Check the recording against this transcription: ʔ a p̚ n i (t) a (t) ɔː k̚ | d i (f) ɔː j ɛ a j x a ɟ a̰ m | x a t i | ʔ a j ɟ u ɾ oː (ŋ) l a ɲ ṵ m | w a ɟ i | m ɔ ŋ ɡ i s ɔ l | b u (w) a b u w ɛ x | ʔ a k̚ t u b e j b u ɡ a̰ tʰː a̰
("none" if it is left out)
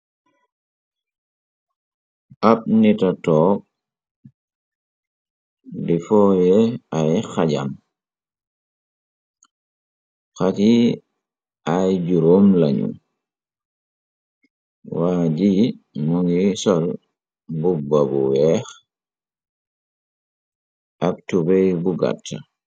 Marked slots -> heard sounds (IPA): t, t, f, m, b

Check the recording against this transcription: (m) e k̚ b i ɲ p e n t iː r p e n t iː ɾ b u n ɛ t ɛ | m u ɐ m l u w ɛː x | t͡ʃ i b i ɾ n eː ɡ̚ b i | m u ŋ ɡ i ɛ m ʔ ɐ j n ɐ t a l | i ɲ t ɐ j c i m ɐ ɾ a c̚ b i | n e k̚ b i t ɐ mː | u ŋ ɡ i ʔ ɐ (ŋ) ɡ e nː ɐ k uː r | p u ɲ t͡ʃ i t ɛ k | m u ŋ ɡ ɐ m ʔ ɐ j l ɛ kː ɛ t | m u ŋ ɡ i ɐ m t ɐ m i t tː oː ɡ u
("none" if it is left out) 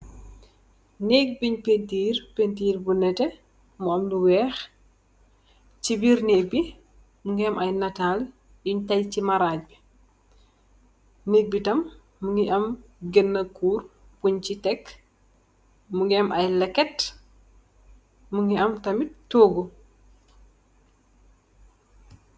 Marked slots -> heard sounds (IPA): n, m

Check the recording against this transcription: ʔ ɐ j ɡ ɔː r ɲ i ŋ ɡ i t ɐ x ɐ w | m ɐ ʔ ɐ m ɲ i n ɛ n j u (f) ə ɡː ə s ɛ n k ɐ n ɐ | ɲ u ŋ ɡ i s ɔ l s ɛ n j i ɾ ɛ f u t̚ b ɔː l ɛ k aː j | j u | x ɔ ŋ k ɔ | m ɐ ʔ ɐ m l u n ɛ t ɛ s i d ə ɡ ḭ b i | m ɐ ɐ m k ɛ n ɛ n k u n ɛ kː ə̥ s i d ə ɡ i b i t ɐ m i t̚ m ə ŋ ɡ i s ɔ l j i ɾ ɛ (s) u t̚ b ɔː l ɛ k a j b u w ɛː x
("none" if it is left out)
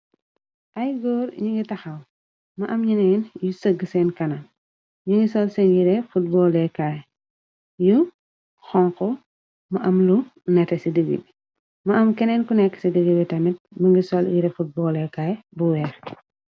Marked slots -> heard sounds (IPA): s, f

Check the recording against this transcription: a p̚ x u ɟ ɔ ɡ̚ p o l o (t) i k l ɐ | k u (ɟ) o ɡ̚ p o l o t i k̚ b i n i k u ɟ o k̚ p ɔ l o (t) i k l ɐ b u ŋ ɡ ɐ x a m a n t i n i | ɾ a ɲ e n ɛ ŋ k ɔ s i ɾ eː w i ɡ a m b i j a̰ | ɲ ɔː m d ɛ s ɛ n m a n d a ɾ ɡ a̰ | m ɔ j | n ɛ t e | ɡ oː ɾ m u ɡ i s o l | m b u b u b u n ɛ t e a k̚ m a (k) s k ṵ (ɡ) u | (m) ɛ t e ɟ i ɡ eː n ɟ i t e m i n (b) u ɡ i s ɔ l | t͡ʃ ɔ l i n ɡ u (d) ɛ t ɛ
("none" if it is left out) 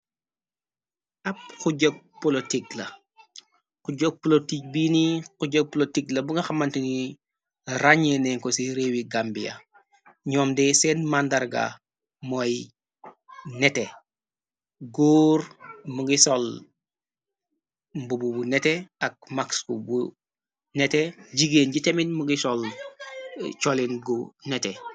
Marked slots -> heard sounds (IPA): t, ɟ, t, k, b, n, m, n

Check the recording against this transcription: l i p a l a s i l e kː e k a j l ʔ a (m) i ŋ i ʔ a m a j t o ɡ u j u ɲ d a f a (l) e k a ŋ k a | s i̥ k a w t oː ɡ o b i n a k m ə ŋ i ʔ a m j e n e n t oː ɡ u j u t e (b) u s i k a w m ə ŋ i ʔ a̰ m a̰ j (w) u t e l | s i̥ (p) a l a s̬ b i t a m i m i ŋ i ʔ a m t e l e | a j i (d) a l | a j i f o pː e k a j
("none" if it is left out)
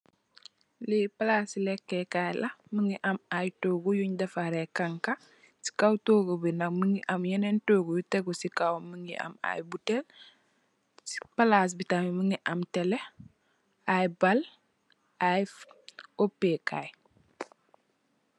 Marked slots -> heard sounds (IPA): m, ɾ, ɡ, b, p, b

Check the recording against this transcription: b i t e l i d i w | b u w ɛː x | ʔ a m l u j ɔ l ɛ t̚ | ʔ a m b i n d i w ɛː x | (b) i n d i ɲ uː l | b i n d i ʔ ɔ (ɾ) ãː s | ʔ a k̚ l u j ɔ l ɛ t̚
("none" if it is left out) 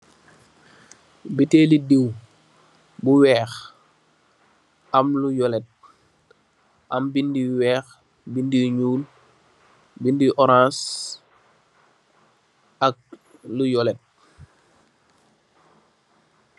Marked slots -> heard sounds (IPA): b, ɾ

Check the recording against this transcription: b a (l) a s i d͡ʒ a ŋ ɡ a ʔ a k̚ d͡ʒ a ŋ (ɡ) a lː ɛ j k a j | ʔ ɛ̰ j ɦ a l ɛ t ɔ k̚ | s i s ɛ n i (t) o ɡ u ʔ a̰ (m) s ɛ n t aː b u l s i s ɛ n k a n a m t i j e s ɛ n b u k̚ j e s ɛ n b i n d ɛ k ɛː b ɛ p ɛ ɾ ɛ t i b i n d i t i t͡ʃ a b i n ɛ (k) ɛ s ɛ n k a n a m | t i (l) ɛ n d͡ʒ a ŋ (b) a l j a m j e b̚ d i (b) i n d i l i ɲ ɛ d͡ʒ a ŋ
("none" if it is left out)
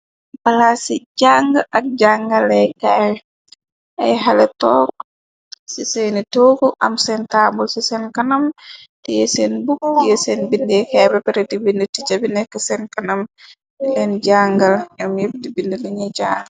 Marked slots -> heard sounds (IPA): l, ɡ, t, m, k, l, ɡ, b

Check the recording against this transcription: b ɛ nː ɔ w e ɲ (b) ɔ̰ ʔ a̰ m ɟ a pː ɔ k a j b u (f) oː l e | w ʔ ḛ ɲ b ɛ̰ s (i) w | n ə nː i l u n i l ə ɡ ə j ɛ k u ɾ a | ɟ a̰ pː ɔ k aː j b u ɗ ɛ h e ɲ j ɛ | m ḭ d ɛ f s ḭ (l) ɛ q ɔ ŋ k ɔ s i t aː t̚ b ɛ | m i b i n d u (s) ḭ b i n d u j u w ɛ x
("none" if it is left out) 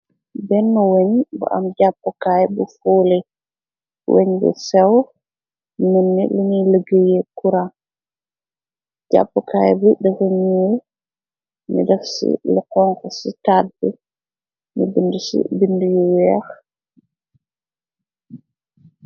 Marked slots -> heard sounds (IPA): b, f, ɛ, l, s

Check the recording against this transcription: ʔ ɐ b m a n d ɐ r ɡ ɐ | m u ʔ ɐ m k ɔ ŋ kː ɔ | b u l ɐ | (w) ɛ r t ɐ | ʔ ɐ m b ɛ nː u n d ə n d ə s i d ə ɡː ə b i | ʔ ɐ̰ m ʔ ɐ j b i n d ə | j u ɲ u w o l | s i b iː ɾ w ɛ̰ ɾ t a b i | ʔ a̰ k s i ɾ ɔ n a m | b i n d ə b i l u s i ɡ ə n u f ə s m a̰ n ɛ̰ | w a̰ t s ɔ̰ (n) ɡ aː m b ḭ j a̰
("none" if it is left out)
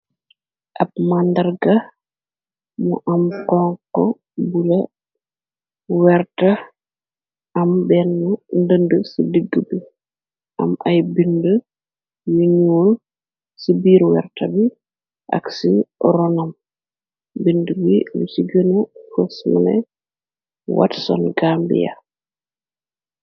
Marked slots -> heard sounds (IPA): w, n

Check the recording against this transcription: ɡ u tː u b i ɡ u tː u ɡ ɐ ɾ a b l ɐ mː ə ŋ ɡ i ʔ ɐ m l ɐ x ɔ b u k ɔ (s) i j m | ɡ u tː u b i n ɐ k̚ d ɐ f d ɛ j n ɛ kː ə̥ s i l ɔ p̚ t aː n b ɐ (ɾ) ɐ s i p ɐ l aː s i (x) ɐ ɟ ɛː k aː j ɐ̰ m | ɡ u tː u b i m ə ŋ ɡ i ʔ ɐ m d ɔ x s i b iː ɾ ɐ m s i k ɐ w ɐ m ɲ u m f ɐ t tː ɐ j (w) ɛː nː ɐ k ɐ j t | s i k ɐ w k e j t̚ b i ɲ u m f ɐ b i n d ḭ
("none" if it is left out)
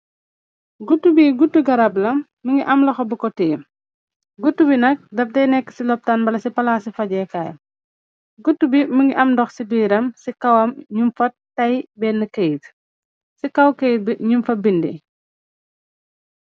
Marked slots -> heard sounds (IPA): t, l, f, b

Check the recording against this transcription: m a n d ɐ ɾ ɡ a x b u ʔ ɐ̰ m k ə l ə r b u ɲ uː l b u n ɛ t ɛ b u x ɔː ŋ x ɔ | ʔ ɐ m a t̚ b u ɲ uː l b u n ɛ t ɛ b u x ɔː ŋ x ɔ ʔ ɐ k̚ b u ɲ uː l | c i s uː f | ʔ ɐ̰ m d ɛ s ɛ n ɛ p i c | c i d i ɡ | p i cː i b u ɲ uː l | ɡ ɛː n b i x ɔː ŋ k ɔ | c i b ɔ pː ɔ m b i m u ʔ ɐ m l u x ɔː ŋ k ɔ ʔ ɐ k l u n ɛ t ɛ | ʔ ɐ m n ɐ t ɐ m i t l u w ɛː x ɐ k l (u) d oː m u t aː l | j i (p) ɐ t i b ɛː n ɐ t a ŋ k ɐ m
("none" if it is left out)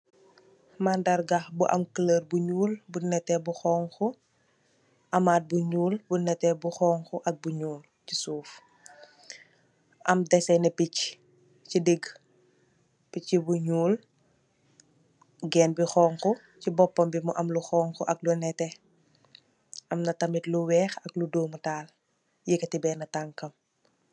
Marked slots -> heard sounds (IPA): u, k

